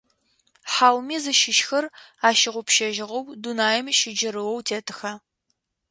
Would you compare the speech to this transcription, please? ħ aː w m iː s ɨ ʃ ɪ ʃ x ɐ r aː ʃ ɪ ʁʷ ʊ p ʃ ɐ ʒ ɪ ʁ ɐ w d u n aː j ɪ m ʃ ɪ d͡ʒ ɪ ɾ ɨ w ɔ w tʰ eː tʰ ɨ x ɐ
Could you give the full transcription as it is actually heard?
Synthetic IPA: ħ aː w m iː z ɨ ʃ ɪ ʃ x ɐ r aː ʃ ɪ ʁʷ ʊ p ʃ ɐ ʒ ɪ ʁ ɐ w d u n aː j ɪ m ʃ ɪ d͡ʒ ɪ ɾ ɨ w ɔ w tʰ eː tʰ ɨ x ɐ

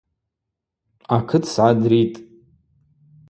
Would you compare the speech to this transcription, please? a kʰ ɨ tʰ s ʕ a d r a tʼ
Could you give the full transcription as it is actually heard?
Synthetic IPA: a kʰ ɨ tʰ s ʕ a d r i tʼ

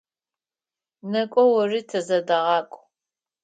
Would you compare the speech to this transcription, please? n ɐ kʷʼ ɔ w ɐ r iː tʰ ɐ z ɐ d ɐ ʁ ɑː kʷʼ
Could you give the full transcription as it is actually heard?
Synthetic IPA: n ɐ kʷʼ ɔ w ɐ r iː tʰ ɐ z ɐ d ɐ ʁ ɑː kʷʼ

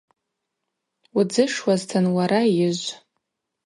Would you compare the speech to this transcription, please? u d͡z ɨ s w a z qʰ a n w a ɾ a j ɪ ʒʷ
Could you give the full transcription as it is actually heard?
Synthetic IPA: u d͡z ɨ ʂ w a z tʰ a n w a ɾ a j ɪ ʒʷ

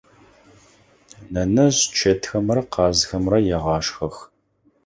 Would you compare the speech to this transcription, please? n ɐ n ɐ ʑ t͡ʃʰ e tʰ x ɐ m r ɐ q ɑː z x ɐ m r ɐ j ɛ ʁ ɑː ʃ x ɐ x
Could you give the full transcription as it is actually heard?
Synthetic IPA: n ɐ n ɐ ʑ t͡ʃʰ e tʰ x ɐ m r ɐ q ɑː z x ɐ m r ɐ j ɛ ʁ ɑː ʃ x ɐ x

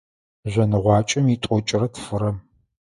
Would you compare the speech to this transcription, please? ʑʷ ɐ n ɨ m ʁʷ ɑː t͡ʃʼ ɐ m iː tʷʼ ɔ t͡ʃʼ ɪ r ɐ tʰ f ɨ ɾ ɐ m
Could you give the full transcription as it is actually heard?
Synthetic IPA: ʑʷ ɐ n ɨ ʁʷ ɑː t͡ʃʼ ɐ m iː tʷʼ ɔ t͡ʃʼ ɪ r ɐ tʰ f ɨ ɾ ɐ m

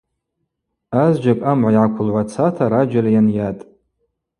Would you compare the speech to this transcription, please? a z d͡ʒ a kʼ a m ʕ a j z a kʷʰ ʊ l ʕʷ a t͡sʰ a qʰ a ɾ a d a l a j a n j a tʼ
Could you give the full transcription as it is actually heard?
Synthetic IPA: a z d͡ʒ a kʼ a m ʕ a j ʕ a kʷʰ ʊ l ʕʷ a t͡sʰ a tʰ a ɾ a d͡ʒ a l a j a n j a tʼ

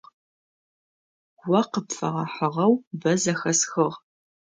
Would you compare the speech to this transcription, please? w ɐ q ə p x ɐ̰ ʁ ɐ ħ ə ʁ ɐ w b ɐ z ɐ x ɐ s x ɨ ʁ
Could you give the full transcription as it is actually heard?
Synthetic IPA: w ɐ q ə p f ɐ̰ ʁ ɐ ħ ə ʁ ɐ w b ɐ z ɐ x ɐ s x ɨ ʁ

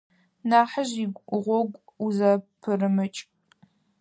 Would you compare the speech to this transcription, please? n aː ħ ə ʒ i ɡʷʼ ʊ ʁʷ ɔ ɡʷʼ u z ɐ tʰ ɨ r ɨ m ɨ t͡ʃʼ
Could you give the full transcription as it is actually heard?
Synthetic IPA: n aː ħ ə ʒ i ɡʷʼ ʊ ʁʷ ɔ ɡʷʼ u z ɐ pʰ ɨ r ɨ m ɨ t͡ʃʼ

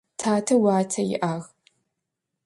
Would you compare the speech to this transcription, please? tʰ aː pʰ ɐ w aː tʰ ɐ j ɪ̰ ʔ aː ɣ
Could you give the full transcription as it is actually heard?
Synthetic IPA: tʰ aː tʰ ɐ w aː tʰ ɐ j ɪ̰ ʔ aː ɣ

